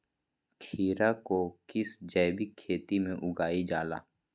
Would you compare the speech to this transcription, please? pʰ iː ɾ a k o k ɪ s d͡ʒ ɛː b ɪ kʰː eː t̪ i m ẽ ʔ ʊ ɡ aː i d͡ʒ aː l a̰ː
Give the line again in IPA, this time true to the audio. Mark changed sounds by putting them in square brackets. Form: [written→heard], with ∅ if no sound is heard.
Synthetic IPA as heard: [pʰ→kʰ] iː ɾ a k o k ɪ s d͡ʒ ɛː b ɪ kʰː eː t̪ i m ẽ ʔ ʊ ɡ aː i d͡ʒ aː l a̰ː